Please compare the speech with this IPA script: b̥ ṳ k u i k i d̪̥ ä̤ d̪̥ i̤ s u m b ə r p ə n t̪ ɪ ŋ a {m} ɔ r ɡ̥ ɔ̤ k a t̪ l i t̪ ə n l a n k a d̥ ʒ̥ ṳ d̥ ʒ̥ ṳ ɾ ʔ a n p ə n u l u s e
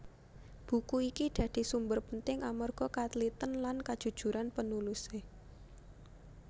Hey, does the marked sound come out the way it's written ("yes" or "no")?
yes